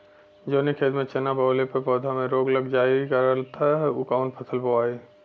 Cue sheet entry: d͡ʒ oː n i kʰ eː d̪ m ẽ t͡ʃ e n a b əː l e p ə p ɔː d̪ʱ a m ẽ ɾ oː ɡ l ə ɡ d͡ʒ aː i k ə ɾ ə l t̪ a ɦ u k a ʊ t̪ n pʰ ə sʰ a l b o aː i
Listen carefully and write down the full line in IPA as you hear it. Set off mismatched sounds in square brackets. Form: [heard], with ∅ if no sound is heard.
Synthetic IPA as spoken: d͡ʒ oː n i kʰ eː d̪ m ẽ t͡ʃ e n a b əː l e p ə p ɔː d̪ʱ a m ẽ ɾ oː ɡ l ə ɡ d͡ʒ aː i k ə ɾ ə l t̪ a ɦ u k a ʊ [∅] n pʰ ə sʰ [ə] l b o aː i